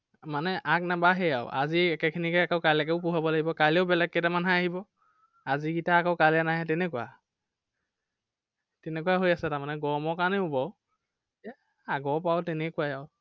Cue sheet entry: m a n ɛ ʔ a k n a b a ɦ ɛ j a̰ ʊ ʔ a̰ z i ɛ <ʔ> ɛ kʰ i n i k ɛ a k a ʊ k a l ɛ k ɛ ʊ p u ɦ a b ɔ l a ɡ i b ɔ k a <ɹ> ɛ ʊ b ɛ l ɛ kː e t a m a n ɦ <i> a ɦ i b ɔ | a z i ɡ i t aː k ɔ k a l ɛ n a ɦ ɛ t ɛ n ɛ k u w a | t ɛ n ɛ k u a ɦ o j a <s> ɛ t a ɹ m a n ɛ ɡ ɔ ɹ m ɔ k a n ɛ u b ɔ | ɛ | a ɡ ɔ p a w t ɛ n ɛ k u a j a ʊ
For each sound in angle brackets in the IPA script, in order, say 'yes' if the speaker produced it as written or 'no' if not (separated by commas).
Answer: no, no, no, yes